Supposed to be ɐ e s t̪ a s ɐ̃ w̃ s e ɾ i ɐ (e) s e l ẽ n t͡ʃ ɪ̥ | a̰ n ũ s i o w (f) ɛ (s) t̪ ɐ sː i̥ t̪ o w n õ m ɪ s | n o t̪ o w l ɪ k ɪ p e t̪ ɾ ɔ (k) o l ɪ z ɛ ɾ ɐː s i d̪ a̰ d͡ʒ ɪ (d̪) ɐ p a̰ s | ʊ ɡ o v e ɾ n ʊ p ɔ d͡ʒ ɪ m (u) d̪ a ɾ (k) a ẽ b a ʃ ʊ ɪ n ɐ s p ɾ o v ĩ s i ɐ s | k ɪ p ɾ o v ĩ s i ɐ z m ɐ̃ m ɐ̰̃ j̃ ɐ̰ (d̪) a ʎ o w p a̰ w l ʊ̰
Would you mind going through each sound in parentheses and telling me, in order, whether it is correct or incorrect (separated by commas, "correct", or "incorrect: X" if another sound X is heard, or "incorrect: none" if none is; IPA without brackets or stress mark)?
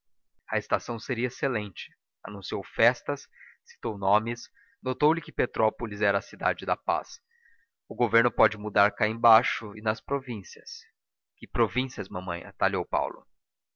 correct, correct, correct, incorrect: p, correct, correct, correct, incorrect: t̪